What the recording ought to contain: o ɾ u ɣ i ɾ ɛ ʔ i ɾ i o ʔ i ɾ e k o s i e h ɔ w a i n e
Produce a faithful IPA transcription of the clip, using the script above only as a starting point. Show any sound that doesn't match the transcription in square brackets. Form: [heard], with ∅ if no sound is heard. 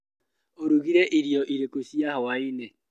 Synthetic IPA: o ɾ u ɣ i ɾ ɛ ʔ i ɾ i [ɔ] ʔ i ɾ e k o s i [a] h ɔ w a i n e